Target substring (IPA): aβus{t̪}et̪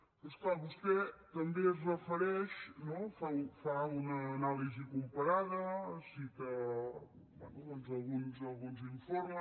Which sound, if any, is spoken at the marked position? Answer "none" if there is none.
t̪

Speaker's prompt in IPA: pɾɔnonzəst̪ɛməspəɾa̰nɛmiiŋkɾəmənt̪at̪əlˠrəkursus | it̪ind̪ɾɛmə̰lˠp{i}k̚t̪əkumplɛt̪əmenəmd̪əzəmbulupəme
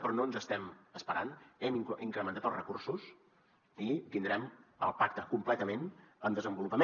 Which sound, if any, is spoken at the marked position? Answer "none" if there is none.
a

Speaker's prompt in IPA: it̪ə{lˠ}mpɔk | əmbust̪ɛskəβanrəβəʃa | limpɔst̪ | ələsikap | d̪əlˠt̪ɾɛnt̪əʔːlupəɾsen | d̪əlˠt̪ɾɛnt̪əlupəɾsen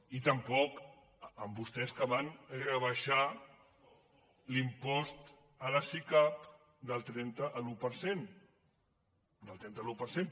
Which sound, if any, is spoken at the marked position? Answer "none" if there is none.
none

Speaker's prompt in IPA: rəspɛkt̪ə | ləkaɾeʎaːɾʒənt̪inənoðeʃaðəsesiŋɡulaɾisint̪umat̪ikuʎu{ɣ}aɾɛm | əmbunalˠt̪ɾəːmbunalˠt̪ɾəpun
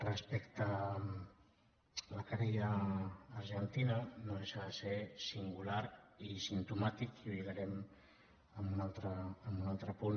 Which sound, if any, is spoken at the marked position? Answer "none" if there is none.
ɣ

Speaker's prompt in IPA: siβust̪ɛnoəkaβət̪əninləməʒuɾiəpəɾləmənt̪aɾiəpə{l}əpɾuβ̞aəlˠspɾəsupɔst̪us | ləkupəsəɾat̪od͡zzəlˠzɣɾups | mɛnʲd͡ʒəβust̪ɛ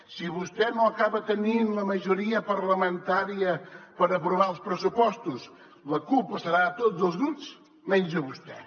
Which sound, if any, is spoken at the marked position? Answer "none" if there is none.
ɾ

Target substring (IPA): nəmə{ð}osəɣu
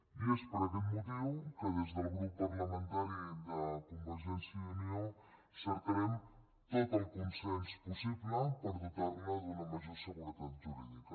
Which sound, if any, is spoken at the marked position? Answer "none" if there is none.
ʒ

